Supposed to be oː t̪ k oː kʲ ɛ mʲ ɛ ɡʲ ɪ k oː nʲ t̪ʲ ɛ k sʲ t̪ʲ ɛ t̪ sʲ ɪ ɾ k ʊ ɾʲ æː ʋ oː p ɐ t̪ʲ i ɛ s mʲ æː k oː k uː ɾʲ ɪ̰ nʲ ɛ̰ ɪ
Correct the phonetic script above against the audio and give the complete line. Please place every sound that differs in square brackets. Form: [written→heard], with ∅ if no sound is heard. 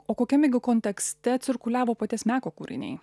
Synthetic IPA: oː [t̪→∅] k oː kʲ ɛ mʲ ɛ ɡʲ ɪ k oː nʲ t̪ʲ ɛ k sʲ t̪ʲ ɛ t̪ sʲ ɪ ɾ k ʊ [ɾʲ→lʲ] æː ʋ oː p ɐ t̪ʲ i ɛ s mʲ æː k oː k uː ɾʲ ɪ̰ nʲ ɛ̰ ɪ